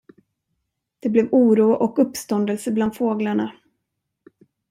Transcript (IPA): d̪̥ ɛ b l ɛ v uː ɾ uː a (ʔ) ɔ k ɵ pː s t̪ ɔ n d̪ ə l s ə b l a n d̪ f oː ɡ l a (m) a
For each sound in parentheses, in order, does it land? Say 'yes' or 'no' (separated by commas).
yes, no